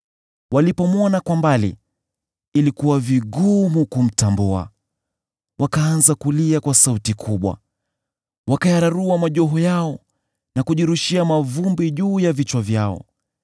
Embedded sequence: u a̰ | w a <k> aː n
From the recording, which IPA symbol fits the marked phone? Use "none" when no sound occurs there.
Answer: k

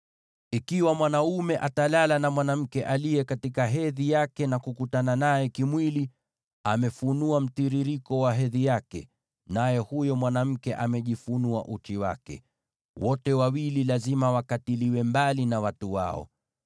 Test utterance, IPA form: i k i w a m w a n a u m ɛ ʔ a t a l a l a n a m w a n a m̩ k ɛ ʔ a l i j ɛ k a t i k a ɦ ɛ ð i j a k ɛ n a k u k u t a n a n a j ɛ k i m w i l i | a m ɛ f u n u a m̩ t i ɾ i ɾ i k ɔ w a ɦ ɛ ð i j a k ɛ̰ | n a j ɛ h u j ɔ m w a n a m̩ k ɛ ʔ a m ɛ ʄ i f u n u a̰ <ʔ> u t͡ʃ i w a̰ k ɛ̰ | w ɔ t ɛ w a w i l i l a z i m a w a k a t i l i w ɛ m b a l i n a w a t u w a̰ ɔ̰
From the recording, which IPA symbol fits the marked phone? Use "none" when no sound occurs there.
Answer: ʔ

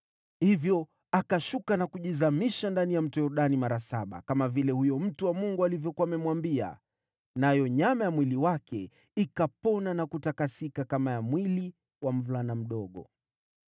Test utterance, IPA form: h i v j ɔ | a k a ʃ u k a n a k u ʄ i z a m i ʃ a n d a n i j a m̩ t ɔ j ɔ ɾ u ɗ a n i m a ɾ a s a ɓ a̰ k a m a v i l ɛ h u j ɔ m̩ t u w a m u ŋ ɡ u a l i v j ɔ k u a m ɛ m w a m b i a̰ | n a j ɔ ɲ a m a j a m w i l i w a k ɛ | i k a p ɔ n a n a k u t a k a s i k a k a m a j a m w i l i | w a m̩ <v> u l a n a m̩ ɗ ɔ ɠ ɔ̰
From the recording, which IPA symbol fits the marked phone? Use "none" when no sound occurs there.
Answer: v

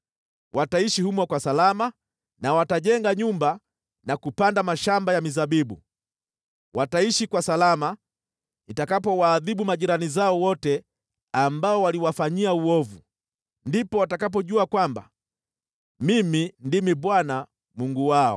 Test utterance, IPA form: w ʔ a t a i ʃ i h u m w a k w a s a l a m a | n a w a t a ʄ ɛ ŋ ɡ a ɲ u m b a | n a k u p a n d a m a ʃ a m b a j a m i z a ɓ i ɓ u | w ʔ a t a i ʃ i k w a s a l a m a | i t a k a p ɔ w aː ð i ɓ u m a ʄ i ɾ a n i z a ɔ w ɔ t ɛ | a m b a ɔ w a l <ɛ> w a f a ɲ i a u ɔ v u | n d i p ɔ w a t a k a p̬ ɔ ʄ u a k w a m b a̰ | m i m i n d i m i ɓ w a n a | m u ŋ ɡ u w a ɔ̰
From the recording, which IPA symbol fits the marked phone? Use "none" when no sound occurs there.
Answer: i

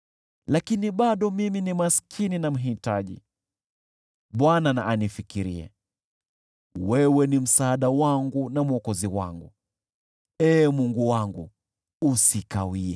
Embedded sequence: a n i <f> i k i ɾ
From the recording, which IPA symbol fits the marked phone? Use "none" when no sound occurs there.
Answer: f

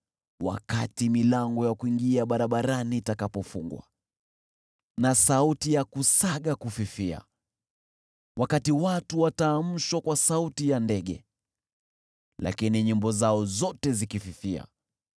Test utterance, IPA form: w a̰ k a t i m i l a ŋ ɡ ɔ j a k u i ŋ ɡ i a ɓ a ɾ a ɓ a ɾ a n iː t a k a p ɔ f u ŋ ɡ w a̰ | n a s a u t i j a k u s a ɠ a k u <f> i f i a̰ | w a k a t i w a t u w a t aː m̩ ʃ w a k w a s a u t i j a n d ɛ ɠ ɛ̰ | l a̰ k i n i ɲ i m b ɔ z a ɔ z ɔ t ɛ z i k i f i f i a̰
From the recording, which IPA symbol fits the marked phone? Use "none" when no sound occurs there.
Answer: f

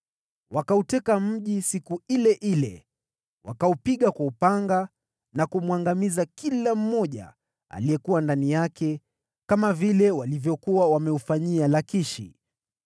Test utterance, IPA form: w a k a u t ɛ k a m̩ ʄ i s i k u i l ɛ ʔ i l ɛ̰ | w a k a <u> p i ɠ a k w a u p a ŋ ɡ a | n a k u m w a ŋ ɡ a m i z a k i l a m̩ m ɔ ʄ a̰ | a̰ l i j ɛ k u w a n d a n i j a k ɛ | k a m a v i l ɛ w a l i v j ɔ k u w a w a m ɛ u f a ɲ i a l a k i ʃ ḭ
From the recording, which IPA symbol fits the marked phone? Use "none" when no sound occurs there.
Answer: u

